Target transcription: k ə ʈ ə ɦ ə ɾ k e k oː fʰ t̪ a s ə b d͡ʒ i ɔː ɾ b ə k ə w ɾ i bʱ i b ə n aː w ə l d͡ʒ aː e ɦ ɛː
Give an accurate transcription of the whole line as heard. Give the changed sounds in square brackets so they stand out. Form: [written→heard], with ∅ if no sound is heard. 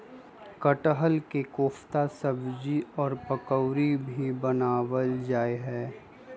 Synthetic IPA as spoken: k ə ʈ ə ɦ ə [ɾ→l] k e k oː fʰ t̪ a s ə b d͡ʒ i ɔː ɾ [b→p] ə k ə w ɾ i bʱ i b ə n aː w ə l d͡ʒ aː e ɦ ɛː